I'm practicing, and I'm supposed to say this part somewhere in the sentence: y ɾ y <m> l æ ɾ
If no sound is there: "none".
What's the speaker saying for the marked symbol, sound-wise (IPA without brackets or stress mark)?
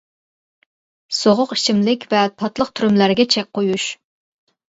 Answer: m